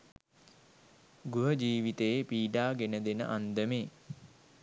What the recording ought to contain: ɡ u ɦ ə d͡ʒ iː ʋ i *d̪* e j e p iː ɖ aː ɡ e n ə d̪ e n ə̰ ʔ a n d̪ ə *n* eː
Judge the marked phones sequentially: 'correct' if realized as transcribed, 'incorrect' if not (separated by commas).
incorrect, incorrect